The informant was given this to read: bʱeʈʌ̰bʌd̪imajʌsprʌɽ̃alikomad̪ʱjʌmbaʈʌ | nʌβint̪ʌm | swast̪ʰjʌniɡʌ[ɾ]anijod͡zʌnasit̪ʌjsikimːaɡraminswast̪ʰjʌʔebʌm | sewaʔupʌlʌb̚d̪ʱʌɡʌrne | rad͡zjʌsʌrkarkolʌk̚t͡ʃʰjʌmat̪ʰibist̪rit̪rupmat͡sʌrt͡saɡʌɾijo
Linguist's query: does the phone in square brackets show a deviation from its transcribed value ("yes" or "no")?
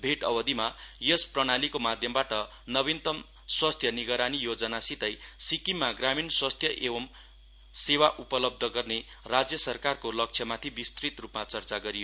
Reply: no